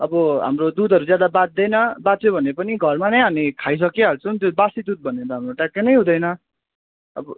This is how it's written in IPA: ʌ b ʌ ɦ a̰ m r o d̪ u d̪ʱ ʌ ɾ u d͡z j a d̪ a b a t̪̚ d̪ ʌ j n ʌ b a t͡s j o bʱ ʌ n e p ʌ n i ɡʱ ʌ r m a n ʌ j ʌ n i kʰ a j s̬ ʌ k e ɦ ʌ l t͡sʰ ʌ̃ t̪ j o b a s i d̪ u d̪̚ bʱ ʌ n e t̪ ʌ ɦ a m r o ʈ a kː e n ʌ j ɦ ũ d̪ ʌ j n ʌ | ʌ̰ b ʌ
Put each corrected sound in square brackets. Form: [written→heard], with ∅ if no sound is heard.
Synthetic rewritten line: ʌ b ʌ ɦ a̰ m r o d̪ u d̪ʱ ʌ ɾ u d͡z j a d̪ a b a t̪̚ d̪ ʌ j n ʌ b a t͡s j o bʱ ʌ n e p ʌ n i ɡʱ ʌ r m a n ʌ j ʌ n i kʰ a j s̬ ʌ k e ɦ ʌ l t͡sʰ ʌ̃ t̪ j o b a s i d̪ u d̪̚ bʱ ʌ n e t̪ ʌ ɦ a m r o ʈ a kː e n ʌ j ɦ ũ d̪ ʌ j n ʌ | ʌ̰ b ʌ